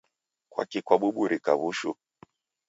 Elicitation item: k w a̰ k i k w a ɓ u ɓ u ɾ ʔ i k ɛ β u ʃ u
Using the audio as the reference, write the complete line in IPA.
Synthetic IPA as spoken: k w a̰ k i k w a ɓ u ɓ u ɾ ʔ i k a β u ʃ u